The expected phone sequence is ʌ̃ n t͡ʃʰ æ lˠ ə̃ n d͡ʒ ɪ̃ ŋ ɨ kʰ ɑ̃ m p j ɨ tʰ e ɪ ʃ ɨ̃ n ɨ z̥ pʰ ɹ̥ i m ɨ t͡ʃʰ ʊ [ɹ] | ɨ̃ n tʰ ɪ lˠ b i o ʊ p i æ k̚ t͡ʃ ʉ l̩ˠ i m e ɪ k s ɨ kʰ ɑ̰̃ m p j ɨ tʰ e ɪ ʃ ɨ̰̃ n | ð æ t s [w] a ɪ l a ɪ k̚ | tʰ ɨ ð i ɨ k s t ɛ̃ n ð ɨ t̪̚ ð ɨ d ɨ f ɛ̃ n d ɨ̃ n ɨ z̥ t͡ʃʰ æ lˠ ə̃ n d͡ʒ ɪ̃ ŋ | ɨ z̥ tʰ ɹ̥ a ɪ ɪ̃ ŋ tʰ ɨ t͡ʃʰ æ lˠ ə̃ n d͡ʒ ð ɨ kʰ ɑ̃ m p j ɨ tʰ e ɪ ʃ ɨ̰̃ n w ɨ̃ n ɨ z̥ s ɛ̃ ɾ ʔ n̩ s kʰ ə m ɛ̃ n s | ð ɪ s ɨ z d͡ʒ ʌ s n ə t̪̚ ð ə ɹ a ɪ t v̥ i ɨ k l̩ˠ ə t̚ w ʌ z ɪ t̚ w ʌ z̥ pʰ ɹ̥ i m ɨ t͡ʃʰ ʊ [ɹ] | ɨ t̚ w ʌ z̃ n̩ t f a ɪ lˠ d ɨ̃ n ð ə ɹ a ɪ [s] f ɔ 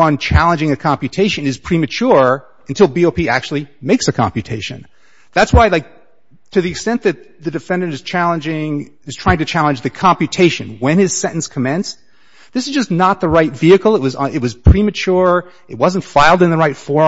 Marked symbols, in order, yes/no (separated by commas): yes, yes, yes, no